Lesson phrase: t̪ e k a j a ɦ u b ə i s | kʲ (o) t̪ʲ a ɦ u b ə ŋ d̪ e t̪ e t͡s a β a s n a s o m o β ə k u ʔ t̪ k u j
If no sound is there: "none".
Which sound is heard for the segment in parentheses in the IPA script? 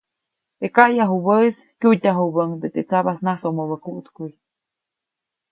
u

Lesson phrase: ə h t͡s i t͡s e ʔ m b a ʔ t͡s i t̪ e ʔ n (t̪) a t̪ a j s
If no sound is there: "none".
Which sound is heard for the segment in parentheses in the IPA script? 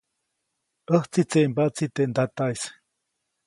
d̪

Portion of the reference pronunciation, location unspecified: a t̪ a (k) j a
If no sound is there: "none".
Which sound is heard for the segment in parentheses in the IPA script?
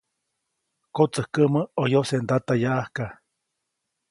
none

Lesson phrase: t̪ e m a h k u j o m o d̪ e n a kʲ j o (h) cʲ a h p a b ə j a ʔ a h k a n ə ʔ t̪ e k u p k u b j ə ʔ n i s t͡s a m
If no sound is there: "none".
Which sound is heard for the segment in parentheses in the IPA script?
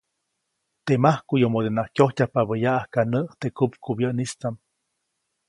h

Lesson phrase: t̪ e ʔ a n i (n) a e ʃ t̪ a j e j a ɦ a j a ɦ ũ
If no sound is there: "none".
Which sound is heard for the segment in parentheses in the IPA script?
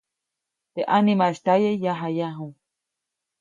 m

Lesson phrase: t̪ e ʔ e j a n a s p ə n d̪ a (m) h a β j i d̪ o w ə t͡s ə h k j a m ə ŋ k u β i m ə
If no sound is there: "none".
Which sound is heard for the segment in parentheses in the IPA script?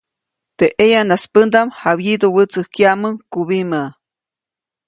m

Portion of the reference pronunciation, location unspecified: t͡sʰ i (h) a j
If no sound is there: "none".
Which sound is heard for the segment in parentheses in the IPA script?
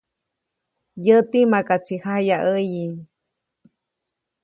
h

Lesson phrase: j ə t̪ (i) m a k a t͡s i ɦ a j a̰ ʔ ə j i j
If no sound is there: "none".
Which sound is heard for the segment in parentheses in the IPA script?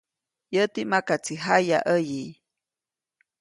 i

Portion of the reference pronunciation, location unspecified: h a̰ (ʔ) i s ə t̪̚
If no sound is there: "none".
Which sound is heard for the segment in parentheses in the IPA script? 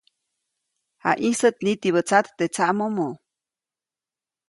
ʔ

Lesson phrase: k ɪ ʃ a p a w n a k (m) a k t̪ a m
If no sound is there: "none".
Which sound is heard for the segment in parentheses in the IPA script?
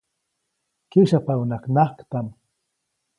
n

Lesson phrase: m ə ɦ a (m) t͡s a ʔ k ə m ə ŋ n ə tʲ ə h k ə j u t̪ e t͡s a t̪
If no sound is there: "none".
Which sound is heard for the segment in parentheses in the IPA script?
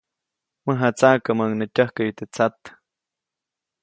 none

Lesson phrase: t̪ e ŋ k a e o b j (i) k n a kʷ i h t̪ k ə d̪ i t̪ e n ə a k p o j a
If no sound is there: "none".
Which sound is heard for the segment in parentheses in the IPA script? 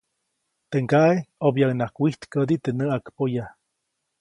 a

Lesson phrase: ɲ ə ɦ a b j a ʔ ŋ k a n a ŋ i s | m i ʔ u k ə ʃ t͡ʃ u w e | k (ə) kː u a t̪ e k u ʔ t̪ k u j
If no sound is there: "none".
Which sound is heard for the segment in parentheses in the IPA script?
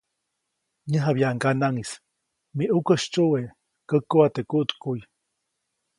ə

